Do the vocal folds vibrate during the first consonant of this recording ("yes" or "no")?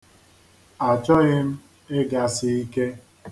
no